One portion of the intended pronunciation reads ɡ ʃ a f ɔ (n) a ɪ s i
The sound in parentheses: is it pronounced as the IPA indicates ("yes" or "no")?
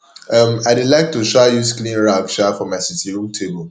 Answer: no